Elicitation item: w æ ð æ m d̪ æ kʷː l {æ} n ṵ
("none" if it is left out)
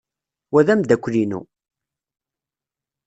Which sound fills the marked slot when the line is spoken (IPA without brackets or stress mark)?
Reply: i